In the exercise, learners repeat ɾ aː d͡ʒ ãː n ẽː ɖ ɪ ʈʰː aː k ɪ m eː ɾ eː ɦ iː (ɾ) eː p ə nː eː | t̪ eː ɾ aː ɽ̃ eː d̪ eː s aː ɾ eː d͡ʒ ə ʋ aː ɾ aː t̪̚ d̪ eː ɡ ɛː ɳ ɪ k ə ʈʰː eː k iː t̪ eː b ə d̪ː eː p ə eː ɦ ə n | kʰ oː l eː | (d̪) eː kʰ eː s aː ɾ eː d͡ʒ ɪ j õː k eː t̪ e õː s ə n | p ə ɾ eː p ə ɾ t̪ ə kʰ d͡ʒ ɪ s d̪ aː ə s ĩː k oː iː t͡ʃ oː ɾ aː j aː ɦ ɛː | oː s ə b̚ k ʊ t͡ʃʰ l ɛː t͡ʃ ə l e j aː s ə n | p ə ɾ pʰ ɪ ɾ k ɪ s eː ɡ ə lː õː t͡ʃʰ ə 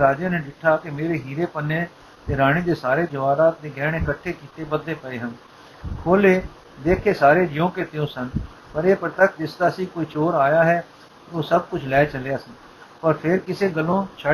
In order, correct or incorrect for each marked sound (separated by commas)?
correct, correct